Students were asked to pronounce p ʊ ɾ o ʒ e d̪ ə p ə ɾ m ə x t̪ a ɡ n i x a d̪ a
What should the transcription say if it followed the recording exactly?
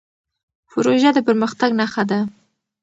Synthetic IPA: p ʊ ɾ o ʒ a d̪ ə p ə ɾ m ə x t̪ a ɡ n a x a d̪ a